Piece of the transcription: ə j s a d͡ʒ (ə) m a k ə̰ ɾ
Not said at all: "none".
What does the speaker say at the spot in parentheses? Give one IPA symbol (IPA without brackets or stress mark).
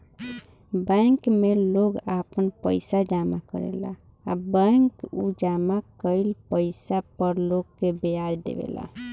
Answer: a